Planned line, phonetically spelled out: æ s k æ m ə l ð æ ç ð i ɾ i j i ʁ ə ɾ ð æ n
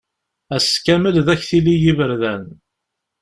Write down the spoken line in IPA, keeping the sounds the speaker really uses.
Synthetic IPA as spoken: æ s k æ m ə l ð æ ç θ i l i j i v ə ɾ ð æ n

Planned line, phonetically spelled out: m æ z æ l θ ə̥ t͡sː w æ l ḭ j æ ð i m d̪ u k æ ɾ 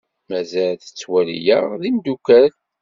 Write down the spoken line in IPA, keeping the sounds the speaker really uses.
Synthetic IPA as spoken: m æ z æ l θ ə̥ t͡sː w æ l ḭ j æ ð i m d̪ u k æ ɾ

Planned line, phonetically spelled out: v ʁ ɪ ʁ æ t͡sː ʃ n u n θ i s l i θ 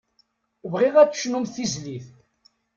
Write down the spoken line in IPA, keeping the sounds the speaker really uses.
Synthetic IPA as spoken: v ʁ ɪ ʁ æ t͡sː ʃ n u m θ i z l i θ

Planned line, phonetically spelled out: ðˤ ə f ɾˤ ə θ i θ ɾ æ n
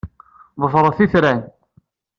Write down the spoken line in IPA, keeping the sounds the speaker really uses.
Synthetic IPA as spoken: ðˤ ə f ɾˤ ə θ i θ ɾ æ n

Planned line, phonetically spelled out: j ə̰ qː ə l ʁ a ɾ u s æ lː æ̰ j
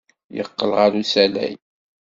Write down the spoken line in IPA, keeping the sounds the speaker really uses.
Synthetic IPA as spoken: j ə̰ qː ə l ʁ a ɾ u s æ l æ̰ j

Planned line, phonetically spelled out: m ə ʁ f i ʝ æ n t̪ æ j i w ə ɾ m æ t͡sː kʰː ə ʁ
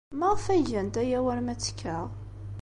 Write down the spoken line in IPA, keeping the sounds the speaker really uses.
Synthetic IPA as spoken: m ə ʁ f æ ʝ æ n t̪ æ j æ w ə ɾ m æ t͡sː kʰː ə ʁ

